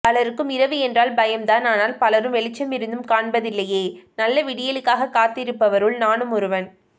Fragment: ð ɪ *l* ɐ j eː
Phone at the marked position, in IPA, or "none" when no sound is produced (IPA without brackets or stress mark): lː